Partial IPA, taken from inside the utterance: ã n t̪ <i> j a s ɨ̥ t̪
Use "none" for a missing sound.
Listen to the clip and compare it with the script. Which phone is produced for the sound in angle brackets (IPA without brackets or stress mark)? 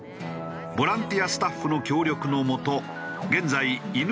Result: i